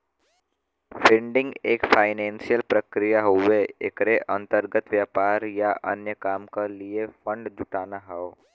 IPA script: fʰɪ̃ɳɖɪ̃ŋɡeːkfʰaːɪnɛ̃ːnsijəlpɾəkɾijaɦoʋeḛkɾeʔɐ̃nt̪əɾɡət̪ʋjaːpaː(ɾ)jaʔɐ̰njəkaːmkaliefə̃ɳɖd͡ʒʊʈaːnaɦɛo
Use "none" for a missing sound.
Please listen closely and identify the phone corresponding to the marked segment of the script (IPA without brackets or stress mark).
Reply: ɾ